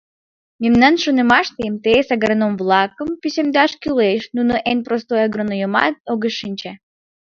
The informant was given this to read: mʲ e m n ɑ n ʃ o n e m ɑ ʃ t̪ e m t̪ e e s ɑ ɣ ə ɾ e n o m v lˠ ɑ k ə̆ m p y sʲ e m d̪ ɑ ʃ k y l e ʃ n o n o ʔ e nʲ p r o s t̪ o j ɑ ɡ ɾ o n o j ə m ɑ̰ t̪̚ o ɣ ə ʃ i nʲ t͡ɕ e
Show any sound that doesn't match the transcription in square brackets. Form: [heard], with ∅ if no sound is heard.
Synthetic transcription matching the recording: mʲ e m n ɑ n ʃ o n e m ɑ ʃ t̪ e m t̪ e e s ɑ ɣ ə ɾ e n o m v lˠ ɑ k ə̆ m p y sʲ e m d̪ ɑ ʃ k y l e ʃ n [u] n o ʔ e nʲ p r o s t̪ o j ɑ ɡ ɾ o n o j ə m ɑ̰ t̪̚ o ɣ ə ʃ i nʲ t͡ɕ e